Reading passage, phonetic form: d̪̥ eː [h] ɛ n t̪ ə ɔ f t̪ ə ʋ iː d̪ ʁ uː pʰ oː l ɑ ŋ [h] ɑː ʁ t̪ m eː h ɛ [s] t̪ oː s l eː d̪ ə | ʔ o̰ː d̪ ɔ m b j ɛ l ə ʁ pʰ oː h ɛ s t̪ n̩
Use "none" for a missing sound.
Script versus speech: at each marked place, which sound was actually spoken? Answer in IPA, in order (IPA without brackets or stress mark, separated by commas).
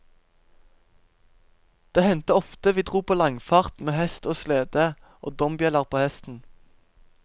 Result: h, f, s